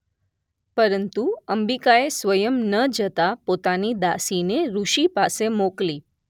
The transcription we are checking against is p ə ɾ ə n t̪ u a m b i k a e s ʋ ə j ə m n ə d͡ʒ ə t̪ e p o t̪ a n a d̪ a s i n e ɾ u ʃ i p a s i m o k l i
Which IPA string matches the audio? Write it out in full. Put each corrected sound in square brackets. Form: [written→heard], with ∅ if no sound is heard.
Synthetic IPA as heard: p ə ɾ ə n t̪ u [a→ə] m b i k a e s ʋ ə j ə m n ə d͡ʒ ə t̪ [e→a] p o t̪ a n [a→i] d̪ a s i n e ɾ u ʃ i p a s [i→e] m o k l i

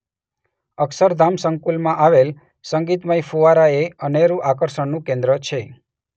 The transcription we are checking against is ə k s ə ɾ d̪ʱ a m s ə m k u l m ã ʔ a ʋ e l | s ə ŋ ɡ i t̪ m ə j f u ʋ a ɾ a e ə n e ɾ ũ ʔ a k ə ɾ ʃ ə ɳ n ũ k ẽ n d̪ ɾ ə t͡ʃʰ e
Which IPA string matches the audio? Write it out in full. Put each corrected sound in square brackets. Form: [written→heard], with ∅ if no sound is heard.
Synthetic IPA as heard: ə k s ə ɾ d̪ʱ a m s ə [m→ŋ] k u l m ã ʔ a ʋ e l | s ə ŋ ɡ i t̪ m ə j f u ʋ a ɾ a e ə n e ɾ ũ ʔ a k ə ɾ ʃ ə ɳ n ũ k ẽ n d̪ ɾ ə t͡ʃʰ e

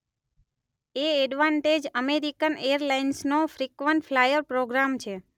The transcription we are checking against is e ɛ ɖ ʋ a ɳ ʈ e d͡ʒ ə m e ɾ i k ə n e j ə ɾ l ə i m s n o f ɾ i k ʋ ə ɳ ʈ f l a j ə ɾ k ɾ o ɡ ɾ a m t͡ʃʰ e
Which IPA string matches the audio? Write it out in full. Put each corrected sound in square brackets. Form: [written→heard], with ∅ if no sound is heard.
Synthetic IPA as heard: e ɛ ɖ ʋ a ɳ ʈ e d͡ʒ ə m e ɾ i k ə n e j ə ɾ l [ə→a] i [m→n] s n o f ɾ i k ʋ ə ɳ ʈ f l a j ə ɾ [k→p] ɾ o ɡ ɾ a m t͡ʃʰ e

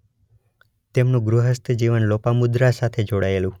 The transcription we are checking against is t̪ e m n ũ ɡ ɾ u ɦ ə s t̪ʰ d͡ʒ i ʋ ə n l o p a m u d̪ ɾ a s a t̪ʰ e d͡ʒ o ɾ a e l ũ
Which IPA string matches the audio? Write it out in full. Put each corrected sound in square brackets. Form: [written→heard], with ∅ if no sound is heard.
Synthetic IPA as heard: t̪ e m n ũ ɡ ɾ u ɦ ə s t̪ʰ d͡ʒ i ʋ ə n l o p a m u d̪ ɾ a s a t̪ʰ e d͡ʒ o [ɾ→ɽ] a e l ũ

